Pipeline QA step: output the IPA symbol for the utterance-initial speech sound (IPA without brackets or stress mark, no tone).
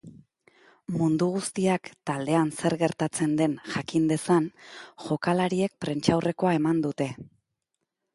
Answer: m